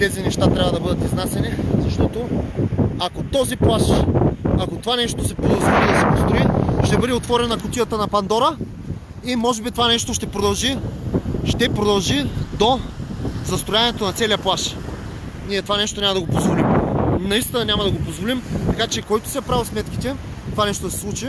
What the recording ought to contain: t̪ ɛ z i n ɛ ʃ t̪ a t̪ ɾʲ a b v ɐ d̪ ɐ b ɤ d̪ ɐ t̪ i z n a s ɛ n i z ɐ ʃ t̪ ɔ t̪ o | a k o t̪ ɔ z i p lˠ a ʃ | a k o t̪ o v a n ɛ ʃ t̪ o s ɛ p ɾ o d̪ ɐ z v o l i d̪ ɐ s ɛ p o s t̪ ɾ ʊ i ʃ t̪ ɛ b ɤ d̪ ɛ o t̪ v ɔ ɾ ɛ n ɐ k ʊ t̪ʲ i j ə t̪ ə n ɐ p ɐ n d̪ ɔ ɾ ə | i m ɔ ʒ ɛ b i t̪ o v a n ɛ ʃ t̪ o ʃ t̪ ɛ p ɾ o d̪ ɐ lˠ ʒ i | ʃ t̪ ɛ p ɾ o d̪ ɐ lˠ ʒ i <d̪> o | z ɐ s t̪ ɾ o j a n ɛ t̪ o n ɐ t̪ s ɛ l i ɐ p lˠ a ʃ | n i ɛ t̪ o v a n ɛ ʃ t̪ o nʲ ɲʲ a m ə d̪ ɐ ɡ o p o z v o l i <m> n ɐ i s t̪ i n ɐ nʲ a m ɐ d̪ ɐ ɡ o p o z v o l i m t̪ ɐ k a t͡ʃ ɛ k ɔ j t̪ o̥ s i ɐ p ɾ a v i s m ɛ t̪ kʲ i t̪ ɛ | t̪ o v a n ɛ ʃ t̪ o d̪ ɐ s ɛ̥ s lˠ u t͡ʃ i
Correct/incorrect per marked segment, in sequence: correct, correct

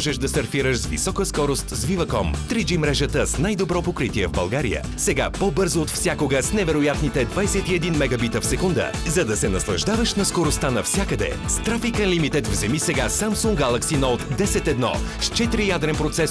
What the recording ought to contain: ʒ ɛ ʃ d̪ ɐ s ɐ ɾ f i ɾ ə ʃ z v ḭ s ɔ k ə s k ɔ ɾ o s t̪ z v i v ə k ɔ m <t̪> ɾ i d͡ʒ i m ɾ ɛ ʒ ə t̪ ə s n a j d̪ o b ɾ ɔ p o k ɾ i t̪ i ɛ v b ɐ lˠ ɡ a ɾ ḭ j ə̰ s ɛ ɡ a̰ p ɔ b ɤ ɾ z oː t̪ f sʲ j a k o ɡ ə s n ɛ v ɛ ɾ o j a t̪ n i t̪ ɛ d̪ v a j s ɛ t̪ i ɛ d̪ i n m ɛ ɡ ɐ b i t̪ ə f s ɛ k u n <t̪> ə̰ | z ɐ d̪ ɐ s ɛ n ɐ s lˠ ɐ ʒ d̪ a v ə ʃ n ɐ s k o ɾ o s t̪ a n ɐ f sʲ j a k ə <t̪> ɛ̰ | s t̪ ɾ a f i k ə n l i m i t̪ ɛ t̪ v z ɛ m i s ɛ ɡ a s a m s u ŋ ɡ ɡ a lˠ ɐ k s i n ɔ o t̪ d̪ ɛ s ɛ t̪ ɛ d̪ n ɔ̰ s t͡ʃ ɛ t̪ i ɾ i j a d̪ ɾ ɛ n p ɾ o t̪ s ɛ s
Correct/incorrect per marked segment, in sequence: correct, incorrect: d̪, incorrect: d̪

